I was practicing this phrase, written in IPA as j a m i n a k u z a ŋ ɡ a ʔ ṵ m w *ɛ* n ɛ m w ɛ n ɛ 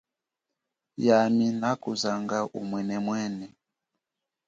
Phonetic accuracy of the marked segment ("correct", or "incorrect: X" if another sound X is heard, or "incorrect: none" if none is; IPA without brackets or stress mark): correct